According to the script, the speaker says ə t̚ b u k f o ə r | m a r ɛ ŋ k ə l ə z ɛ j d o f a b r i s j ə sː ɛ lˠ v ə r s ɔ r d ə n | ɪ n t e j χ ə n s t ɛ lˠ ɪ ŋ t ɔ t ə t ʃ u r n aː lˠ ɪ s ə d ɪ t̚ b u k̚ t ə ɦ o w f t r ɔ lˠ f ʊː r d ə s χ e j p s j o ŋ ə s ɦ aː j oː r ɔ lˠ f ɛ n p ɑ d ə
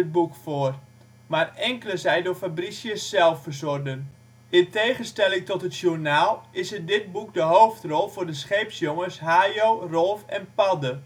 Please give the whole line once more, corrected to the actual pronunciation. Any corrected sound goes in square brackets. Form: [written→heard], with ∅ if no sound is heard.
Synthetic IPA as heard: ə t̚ b u k f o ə r | m a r ɛ ŋ k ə l ə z ɛ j d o f a b r i s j ə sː ɛ lˠ [v→f] ə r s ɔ r d ə n | ɪ n t e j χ ə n s t ɛ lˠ ɪ ŋ t ɔ t ə t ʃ u r n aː lˠ ɪ s ə d ɪ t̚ b u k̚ [t→d] ə ɦ o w f t r ɔ lˠ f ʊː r d ə s χ e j p s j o ŋ ə s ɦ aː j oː r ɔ lˠ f ɛ n p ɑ d ə